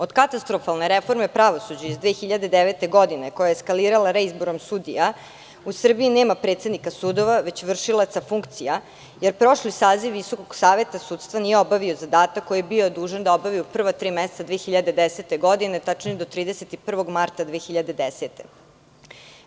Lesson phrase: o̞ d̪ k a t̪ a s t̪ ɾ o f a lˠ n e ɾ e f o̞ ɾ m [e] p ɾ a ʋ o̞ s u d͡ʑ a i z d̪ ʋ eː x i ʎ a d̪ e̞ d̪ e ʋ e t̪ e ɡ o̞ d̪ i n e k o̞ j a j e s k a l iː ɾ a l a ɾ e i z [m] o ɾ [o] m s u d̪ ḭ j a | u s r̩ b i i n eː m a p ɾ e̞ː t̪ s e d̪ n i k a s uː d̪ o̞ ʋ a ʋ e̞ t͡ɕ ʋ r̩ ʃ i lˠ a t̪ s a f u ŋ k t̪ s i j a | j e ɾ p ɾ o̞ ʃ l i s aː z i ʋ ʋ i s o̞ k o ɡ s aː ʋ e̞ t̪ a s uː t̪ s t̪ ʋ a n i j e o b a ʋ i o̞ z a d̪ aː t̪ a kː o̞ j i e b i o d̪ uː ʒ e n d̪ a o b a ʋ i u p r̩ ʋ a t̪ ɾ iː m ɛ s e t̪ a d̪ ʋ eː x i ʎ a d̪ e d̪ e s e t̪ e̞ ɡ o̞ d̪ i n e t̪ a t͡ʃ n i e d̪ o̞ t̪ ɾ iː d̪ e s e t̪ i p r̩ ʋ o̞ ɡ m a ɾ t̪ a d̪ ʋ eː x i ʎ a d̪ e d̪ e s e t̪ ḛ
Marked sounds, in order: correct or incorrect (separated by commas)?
correct, incorrect, correct